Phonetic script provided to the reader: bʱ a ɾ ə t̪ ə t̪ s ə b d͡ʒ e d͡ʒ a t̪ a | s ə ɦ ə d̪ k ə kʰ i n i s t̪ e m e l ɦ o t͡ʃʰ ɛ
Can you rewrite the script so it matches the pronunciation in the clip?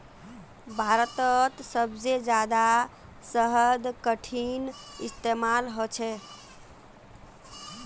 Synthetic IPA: bʱ a ɾ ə t̪ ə t̪ s ə b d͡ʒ e d͡ʒ a d̪ a | s ə ɦ ə d̪ k ə ʈʰ i n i s t̪ e m a l ɦ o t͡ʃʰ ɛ

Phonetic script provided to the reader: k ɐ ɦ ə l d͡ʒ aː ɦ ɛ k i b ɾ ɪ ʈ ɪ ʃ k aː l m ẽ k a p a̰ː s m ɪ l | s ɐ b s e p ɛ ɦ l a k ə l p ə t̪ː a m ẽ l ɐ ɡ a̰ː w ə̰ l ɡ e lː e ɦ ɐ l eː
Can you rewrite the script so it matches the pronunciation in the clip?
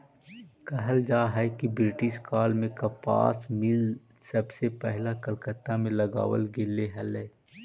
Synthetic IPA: k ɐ ɦ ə l d͡ʒ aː ɦ ɛ k i b ɾ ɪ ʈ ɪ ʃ k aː l m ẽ k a p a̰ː s m ɪ l | s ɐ b s e p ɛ ɦ l a k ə l k ə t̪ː a m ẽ l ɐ ɡ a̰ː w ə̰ l ɡ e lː e ɦ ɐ l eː

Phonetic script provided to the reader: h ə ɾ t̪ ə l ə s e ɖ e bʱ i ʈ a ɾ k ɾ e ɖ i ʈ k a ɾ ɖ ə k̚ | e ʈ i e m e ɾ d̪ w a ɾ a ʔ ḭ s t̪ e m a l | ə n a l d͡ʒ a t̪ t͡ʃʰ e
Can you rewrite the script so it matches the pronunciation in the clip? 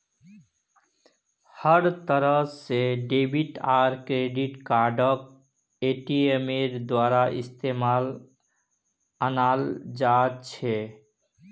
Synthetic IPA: h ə ɾ t̪ ə ɾ ə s e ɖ e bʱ i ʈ a ɾ k ɾ e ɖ i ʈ k a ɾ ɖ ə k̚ | e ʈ i e m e ɾ d̪ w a ɾ a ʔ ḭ s t̪ e m a l | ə n a l d͡ʒ a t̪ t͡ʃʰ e

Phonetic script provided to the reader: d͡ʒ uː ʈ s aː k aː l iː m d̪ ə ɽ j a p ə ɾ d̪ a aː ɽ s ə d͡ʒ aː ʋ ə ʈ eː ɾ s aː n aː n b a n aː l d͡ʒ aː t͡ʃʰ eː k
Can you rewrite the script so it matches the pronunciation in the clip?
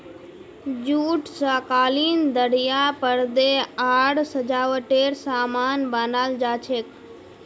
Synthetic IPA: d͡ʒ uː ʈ s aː k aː l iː n d̪ ə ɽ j a p ə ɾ d̪ e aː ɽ s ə d͡ʒ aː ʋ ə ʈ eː ɾ s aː m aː n b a n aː l d͡ʒ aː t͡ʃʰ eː k

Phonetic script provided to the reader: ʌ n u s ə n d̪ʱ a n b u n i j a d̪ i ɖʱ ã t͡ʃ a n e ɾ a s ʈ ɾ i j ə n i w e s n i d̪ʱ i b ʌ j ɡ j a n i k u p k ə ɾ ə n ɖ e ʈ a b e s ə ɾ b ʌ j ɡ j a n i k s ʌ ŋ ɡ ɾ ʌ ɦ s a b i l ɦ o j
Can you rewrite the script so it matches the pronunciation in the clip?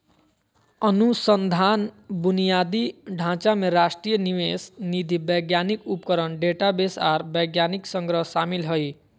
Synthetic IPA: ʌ n u s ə n d̪ʱ a n b u n i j a d̪ i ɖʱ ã t͡ʃ a m e ɾ a s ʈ ɾ i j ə n i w e s n i d̪ʱ i b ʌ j ɡ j a n i k u p k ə ɾ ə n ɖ e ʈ a b e s a ɾ b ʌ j ɡ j a n i k s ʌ ŋ ɡ ɾ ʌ ɦ s a m i l ɦ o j

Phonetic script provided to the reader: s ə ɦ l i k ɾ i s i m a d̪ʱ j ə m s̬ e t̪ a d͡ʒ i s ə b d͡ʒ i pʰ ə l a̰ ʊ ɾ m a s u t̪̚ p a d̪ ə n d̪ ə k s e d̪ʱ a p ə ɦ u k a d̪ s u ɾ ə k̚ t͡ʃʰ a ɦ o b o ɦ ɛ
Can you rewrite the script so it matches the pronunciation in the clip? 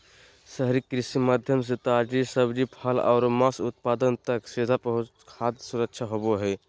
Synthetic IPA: s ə ɦ ɾ i k ɾ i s i m a d̪ʱ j ə m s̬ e t̪ a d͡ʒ i s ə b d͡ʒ i pʰ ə l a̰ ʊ ɾ m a s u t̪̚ p a d̪ ə n t̪ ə k s e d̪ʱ a p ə ɦ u kʰ a d̪ s u ɾ ə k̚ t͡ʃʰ a ɦ o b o ɦ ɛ

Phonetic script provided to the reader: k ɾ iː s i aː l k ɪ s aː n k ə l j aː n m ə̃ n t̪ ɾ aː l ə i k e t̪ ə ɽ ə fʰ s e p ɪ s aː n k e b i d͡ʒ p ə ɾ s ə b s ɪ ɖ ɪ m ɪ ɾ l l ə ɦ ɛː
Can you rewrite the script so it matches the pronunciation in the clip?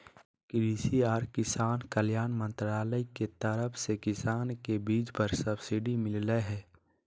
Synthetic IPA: k ɾ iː s i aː ɾ k ɪ s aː n k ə l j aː n m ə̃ n t̪ ɾ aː l ə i k e t̪ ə ɾ ə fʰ s e k ɪ s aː n k e b iː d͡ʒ p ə ɾ s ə b s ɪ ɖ i m ɪ l l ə ɦ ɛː

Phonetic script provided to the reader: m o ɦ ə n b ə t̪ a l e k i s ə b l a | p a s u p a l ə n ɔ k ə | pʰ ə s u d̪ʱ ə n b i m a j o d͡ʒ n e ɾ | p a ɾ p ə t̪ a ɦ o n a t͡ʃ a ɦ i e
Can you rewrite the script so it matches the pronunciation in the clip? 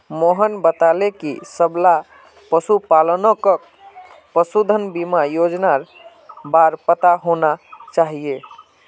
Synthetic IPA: m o ɦ ə n b ə t̪ a l e k i s ə b l a | p ə s u p a l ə n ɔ k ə | p ə s u d̪ʱ ə n b i m a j o d͡ʒ n a ɾ | b a ɾ p ə t̪ a ɦ o n a t͡ʃ a ɦ i e

